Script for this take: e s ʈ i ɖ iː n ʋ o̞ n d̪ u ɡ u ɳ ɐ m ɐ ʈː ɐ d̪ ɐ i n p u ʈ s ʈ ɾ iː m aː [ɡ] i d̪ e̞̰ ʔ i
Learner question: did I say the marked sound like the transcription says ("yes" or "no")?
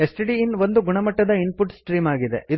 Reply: yes